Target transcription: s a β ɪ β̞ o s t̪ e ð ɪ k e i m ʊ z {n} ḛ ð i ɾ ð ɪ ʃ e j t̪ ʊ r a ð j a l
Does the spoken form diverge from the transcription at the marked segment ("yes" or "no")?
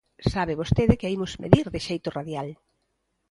yes